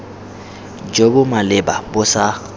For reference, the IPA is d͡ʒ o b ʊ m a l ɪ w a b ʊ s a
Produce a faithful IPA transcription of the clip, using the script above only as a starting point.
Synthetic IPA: d͡ʒ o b ʊ m a l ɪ b a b ʊ s a